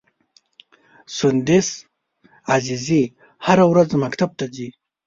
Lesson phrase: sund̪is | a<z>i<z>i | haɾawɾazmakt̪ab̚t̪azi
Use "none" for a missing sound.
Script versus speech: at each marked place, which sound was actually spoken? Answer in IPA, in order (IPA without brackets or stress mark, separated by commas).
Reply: z, z